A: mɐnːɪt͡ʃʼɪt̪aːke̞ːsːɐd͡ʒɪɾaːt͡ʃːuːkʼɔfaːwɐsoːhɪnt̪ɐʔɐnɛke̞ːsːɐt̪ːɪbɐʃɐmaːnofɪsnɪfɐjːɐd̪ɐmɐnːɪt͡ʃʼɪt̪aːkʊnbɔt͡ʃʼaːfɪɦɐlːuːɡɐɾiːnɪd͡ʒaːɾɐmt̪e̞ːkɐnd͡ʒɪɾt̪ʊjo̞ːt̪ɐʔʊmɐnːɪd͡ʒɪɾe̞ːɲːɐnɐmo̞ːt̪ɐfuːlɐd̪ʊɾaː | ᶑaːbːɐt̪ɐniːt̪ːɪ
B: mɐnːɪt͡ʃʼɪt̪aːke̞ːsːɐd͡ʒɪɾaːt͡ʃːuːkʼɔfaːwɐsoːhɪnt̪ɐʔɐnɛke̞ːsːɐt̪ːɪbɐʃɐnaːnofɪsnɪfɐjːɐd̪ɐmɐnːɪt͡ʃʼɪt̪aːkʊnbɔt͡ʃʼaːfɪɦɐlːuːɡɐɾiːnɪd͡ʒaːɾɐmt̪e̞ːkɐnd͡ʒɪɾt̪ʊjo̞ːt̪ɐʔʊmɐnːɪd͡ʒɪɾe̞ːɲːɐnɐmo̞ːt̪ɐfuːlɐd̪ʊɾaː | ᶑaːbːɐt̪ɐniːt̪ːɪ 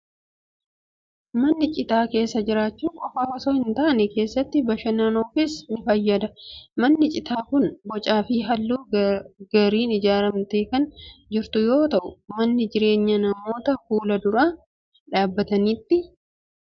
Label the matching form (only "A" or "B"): B